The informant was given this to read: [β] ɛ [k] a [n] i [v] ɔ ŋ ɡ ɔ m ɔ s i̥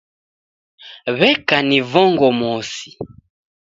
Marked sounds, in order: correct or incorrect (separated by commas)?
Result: correct, correct, correct, correct